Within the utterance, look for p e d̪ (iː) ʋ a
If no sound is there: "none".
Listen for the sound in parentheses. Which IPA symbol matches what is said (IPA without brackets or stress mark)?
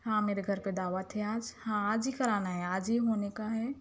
aː